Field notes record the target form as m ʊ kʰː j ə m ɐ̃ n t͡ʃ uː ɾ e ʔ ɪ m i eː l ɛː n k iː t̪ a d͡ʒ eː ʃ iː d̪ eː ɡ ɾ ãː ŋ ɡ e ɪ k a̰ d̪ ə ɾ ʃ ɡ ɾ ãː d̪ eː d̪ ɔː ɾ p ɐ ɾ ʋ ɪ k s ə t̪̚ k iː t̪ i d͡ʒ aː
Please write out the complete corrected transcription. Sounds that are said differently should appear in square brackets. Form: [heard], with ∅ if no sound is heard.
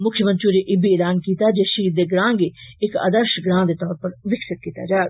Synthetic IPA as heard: m ʊ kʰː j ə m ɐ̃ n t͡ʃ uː ɾ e ʔ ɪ [b] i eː l [aː] n k iː t̪ a d͡ʒ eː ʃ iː d̪ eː ɡ ɾ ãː ŋ ɡ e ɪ k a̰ d̪ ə ɾ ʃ ɡ ɾ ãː d̪ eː [t̪] ɔː ɾ p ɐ ɾ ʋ ɪ k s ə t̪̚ k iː t̪ [a] d͡ʒ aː